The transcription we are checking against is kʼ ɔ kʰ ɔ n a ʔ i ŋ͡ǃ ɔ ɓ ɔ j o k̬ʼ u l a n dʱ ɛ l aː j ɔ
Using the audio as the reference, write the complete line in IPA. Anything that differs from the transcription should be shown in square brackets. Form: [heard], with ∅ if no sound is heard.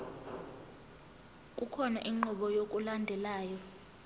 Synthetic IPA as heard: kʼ [u] kʰ ɔ n a ʔ i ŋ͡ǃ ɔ ɓ ɔ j o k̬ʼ u l a n dʱ ɛ l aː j ɔ

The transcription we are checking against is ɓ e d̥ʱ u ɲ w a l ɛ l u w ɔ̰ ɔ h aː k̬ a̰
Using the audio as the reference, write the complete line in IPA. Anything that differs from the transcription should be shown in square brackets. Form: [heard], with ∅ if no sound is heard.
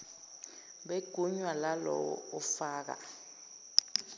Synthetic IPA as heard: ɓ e [ɡ̥ʱ] u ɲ w a l [a] l [ɔ] w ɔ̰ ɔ [f] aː k̬ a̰

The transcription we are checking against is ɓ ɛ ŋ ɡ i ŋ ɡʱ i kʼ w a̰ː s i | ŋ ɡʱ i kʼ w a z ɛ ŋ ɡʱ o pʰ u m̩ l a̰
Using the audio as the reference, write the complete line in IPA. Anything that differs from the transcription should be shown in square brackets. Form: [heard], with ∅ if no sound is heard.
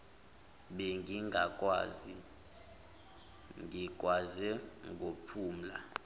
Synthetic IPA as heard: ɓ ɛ ŋ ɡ i ŋ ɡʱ [a] kʼ w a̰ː [z] i | ŋ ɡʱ i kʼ w a z ɛ ŋ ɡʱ o pʰ [uː] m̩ l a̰

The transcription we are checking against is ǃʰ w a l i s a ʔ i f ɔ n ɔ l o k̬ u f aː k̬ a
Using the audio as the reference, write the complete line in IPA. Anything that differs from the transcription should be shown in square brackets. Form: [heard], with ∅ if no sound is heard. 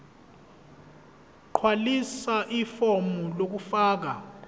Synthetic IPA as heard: ǃʰ w a l i s a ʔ i f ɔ [m] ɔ l o k̬ u f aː k̬ a

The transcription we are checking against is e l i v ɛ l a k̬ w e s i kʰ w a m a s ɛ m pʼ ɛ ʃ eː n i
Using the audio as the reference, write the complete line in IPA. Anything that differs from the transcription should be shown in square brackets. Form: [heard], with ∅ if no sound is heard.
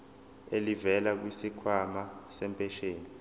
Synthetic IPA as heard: e l i v ɛ l a k̬ w [i] s i kʰ w a m a s ɛ m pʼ ɛ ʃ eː n i

